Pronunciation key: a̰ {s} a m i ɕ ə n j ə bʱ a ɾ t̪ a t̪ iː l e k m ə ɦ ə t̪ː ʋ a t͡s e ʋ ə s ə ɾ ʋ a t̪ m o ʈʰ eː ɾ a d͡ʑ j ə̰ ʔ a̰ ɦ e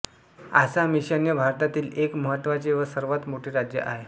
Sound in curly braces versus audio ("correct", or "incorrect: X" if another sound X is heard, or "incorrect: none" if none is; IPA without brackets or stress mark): correct